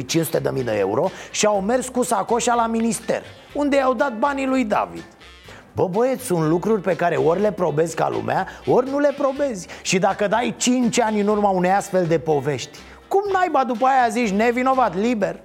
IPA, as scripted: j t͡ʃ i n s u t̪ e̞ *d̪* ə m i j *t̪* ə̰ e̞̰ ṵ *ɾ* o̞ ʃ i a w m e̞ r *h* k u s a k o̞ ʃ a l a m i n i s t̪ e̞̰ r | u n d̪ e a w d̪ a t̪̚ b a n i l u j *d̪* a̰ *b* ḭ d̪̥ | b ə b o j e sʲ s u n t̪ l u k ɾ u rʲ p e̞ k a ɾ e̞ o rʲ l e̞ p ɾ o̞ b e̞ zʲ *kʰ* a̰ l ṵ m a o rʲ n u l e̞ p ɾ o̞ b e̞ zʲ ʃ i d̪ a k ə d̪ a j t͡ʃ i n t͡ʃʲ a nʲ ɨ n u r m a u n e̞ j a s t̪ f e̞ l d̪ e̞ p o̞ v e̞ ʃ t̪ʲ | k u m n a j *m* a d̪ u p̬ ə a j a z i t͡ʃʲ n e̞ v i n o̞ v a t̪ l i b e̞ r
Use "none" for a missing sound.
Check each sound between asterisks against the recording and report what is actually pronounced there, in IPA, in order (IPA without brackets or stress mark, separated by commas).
d̪, d̪, ɾ, s, d̪, v, k, b